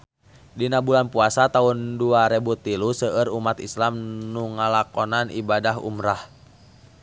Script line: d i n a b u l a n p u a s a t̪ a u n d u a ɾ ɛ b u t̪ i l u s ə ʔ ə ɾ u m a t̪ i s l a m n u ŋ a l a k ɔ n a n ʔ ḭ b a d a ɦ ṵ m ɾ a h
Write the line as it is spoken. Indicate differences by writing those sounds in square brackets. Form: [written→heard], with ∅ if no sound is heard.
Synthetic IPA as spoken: d i n a b u l a n p u a s a t̪ a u n d u a ɾ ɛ b u t̪ i l u s ə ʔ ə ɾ u m a t̪ i s l a m n u ŋ a l a k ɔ n a n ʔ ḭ b a d a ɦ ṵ m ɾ a h